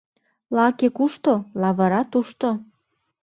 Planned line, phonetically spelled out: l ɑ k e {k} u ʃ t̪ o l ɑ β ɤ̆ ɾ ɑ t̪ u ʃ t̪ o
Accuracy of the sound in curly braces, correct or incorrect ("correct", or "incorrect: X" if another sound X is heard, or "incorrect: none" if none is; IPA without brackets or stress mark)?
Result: correct